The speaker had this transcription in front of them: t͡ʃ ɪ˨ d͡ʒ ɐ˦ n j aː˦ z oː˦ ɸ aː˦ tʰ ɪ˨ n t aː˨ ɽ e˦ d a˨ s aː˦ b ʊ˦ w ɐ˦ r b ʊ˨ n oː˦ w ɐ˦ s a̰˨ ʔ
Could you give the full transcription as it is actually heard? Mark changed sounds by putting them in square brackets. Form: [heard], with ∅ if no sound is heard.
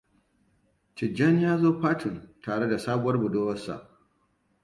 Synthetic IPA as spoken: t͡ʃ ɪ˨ d͡ʒ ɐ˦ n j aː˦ z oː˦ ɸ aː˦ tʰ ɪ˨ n t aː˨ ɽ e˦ d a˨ s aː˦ b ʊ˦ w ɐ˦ r b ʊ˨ [d] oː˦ w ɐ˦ s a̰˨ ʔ

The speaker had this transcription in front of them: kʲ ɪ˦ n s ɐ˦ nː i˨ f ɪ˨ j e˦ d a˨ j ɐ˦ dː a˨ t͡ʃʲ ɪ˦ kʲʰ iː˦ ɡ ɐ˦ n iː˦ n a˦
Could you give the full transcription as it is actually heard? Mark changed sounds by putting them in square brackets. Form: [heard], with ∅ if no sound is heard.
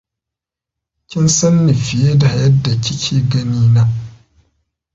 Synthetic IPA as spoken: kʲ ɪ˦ n s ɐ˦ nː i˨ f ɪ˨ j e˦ d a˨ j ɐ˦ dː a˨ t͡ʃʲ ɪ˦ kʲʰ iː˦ ɡ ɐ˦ n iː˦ n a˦

